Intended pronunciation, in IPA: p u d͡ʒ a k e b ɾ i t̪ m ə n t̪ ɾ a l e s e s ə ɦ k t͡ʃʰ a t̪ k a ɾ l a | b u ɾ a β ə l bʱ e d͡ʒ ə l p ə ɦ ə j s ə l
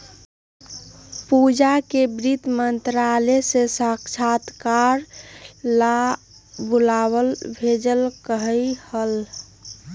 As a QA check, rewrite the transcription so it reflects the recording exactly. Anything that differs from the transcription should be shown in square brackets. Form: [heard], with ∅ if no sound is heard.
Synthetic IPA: p u d͡ʒ a k e b ɾ i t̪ m ə n t̪ ɾ a l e s e s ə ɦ k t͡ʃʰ a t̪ k a ɾ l a | b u [l] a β ə l bʱ e d͡ʒ ə l [k] ə ɦ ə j [h] ə l

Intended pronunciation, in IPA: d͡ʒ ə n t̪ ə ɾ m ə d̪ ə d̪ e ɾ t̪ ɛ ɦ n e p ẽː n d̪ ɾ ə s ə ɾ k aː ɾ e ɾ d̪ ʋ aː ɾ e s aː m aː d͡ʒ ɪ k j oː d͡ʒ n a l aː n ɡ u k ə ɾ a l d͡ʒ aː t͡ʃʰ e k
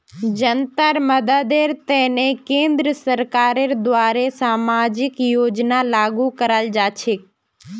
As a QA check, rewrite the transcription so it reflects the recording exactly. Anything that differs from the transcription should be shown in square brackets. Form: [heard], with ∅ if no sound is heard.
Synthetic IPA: d͡ʒ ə n t̪ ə ɾ m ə d̪ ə d̪ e ɾ t̪ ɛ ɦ n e [k] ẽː n d̪ ɾ ə s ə ɾ k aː ɾ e ɾ d̪ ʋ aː ɾ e s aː m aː d͡ʒ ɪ k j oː d͡ʒ n a l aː [∅] ɡ u k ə ɾ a l d͡ʒ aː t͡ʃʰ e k

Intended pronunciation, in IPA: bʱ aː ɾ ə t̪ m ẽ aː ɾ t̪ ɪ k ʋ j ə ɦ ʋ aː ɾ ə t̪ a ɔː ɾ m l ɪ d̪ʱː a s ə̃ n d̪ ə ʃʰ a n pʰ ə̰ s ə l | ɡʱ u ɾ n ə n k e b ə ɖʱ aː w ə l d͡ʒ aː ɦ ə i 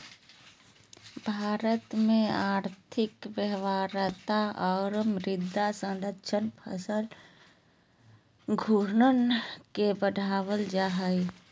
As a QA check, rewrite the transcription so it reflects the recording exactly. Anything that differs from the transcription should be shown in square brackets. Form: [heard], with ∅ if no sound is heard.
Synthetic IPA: bʱ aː ɾ ə t̪ m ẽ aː ɾ [t̪ʰ] ɪ k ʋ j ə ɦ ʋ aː ɾ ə t̪ a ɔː ɾ m [ɾ] ɪ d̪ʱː a s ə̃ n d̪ ə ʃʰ [ə] n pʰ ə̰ s ə l | ɡʱ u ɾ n ə n k e b ə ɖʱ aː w ə l d͡ʒ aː ɦ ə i

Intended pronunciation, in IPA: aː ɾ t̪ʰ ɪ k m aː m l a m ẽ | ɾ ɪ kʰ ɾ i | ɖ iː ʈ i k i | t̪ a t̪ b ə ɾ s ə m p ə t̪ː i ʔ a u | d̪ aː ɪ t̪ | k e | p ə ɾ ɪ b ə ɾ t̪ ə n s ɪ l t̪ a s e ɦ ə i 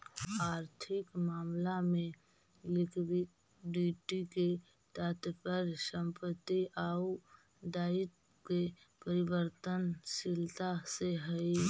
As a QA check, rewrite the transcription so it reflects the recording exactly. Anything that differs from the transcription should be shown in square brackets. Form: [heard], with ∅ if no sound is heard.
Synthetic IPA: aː ɾ t̪ʰ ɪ k m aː m l a m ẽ | [l] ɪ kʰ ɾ i | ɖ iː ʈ i k [e] | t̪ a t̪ [p] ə ɾ s ə m p ə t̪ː i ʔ a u | d̪ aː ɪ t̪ | k e | p ə ɾ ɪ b ə ɾ t̪ ə n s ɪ l t̪ a s e ɦ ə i

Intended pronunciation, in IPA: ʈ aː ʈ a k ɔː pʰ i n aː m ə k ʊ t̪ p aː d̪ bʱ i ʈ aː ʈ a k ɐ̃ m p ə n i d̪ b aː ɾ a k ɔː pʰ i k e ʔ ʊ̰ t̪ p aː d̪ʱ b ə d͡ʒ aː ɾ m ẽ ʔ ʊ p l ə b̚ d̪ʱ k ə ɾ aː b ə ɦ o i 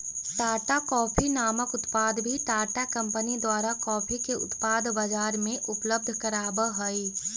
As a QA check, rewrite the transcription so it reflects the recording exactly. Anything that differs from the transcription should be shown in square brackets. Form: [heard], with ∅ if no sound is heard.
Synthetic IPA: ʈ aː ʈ a k ɔː pʰ i n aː m ə k ʊ t̪ p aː d̪ bʱ i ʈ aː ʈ a k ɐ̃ m p ə n i d̪ [w] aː ɾ a k ɔː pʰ i k e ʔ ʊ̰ t̪ p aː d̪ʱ b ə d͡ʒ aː ɾ m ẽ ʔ ʊ p l ə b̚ d̪ʱ k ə ɾ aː b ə ɦ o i

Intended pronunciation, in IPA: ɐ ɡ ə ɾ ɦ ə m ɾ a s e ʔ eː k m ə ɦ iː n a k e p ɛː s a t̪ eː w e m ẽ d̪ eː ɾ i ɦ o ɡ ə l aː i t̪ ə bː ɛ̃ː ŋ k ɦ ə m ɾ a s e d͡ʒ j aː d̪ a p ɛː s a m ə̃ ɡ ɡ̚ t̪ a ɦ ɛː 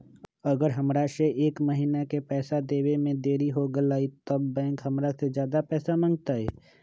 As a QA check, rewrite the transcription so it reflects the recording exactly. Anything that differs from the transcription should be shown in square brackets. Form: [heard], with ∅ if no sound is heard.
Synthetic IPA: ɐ ɡ ə ɾ ɦ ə m ɾ a s e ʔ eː k m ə ɦ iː n a k e p ɛː s a [d̪] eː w e m ẽ d̪ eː ɾ i ɦ o ɡ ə l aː i t̪ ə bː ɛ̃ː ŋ k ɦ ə m ɾ a s e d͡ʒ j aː d̪ a p ɛː s a m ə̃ [ŋ] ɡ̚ t̪ a ɦ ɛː

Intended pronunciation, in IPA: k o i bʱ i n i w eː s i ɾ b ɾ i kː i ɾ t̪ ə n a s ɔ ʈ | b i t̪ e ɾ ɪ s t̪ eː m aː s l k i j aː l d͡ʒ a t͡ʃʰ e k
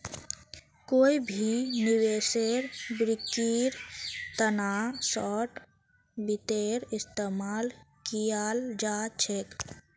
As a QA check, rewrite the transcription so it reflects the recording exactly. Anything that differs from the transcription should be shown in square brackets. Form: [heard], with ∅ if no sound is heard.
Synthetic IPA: k o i bʱ i n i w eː s [e] ɾ b ɾ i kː i ɾ t̪ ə n a s ɔ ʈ | b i t̪ e ɾ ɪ s t̪ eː m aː [∅] l k i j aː l d͡ʒ a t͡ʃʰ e k

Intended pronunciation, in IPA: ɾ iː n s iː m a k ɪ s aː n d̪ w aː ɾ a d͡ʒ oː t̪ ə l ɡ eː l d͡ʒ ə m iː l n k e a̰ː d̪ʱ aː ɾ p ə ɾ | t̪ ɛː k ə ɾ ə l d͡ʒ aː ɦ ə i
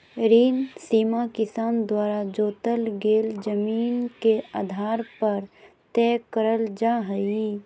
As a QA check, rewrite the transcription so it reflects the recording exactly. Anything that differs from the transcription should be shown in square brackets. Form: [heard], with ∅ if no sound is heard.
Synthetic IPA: ɾ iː n s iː m a k ɪ s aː n d̪ w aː ɾ a d͡ʒ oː t̪ ə l ɡ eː l d͡ʒ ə m iː [∅] n k e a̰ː d̪ʱ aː ɾ p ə ɾ | t̪ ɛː k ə ɾ ə l d͡ʒ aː ɦ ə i

